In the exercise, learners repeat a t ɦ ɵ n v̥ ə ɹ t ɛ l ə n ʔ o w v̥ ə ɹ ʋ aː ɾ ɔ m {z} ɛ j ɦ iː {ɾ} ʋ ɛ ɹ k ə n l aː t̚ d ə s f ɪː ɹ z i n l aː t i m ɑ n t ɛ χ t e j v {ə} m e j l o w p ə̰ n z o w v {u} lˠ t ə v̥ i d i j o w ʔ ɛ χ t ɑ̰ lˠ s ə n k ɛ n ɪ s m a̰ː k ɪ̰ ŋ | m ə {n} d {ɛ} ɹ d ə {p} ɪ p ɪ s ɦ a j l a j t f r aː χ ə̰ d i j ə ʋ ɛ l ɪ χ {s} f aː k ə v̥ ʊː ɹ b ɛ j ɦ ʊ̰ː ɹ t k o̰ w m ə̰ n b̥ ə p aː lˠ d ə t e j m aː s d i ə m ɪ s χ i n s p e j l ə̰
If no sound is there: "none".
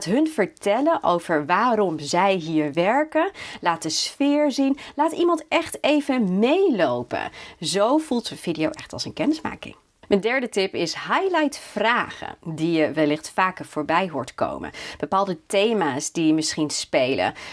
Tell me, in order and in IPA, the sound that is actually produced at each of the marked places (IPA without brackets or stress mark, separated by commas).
z, ɹ, ə, u, n, ɛ, t, t